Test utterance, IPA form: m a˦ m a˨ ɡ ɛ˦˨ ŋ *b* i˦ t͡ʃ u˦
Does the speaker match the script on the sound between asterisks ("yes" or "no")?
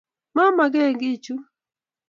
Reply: no